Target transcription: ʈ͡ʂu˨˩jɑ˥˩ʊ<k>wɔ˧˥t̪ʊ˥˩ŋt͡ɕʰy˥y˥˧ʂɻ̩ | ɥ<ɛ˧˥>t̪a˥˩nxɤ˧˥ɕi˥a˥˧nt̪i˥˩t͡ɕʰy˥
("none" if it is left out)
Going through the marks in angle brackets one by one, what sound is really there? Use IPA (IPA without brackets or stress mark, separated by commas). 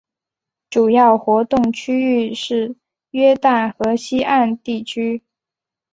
x, ɛ˥